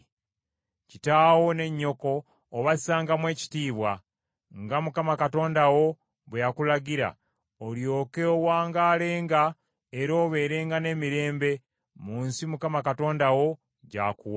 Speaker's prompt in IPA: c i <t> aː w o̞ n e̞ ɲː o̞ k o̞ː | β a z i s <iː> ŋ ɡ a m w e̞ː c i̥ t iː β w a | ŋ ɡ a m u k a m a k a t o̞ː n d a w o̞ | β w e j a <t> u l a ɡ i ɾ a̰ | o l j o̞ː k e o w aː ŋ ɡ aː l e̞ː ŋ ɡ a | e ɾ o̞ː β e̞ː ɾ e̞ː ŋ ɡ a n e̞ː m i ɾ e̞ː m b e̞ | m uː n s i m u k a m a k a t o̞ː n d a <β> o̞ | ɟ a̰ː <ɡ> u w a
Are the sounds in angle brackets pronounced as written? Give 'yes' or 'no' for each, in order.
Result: yes, no, no, no, no

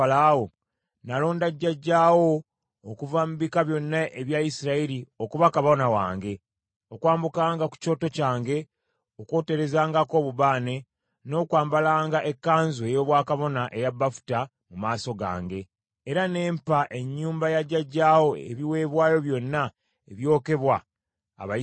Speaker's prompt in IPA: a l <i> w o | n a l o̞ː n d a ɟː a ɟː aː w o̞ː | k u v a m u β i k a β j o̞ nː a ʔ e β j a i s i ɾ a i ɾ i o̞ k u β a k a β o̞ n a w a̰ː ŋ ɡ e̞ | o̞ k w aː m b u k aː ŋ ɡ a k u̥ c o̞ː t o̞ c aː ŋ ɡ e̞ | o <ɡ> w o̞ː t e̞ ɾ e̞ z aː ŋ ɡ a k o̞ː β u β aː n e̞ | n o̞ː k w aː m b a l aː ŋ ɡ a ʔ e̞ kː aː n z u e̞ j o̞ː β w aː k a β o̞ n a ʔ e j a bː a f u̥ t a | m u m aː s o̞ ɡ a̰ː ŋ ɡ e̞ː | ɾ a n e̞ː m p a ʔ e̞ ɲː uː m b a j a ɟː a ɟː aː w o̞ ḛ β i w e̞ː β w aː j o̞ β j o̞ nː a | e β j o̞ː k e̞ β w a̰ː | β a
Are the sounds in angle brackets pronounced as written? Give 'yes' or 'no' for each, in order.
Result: no, no

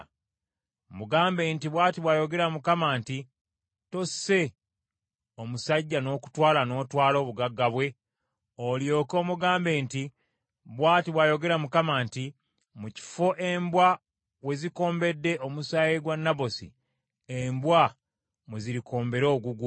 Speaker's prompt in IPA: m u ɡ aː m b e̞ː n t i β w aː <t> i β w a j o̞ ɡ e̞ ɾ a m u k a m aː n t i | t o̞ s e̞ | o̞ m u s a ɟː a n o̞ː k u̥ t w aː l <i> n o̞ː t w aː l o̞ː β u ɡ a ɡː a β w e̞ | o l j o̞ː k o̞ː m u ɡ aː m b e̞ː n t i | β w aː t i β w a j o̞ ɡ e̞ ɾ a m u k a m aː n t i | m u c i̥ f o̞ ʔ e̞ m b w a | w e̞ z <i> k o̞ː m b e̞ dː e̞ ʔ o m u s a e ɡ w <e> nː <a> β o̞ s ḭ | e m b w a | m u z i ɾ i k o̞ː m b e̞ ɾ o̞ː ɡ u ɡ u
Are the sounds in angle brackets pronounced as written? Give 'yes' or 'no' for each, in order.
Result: yes, no, yes, no, yes

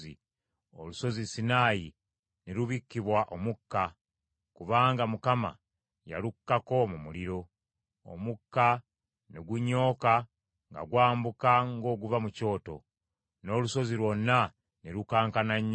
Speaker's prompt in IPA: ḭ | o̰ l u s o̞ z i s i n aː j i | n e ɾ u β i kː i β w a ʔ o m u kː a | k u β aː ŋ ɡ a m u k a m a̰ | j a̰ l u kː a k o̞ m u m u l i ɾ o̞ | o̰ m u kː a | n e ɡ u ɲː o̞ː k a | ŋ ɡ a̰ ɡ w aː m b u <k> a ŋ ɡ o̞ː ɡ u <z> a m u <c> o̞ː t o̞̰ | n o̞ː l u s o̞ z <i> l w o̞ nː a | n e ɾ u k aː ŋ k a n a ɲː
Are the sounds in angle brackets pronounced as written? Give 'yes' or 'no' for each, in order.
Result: yes, no, yes, yes

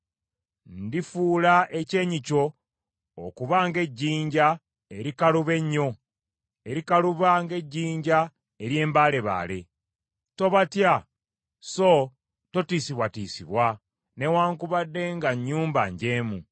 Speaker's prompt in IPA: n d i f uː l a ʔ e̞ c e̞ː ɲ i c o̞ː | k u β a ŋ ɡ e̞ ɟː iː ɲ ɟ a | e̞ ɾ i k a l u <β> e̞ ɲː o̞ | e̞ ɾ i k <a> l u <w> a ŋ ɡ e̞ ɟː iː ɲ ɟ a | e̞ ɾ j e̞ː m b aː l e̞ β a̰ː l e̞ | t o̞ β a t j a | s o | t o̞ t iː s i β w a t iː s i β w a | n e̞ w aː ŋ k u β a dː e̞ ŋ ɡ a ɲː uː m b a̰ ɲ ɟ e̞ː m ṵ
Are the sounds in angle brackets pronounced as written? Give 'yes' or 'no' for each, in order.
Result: yes, yes, no

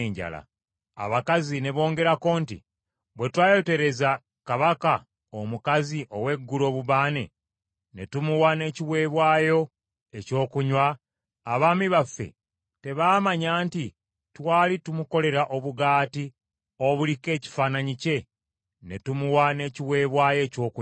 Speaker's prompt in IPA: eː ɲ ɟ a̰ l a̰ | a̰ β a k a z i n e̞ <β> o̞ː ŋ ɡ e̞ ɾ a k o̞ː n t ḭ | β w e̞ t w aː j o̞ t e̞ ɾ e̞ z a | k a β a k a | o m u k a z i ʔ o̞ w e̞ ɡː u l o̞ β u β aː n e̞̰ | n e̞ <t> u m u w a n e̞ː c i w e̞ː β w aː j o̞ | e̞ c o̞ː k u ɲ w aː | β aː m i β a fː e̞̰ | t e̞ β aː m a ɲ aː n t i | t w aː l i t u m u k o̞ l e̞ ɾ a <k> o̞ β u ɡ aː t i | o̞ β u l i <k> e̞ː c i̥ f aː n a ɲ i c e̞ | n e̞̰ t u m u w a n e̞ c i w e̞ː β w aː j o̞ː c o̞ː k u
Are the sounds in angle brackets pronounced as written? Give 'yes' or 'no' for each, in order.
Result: yes, yes, no, yes

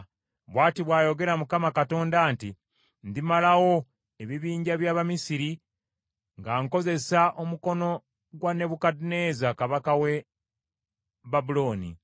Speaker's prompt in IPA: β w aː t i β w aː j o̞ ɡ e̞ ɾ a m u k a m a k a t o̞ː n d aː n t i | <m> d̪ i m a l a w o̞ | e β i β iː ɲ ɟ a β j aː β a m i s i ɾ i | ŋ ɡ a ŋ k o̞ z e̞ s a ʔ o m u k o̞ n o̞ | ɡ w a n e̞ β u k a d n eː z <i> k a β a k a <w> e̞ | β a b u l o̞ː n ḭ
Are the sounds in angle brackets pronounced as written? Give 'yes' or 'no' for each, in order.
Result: no, no, yes

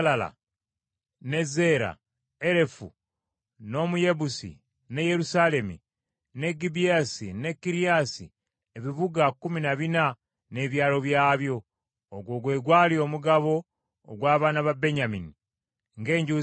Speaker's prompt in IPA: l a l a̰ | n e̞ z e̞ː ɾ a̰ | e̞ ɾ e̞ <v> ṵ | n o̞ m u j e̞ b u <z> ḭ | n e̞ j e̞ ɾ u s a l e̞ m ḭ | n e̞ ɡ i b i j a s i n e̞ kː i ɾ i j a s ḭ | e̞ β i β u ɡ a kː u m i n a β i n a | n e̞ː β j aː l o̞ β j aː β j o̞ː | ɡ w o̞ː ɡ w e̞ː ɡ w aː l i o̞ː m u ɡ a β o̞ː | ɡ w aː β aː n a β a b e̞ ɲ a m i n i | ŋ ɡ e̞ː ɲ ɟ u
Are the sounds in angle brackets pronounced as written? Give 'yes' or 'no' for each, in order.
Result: no, no

